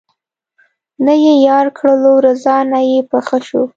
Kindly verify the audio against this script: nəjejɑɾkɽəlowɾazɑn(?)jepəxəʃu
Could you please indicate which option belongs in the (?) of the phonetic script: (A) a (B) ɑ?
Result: A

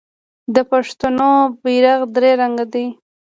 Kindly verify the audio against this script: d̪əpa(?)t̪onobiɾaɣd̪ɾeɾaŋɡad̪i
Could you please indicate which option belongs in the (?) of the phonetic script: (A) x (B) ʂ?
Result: B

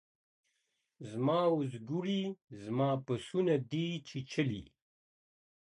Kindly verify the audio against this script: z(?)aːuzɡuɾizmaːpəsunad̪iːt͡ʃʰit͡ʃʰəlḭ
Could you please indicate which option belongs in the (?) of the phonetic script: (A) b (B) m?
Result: B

